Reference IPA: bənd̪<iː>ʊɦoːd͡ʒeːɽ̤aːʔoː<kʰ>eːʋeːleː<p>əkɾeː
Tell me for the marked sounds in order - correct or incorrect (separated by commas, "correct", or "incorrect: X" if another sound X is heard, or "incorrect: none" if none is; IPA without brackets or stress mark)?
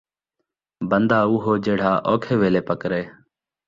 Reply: incorrect: aː, correct, correct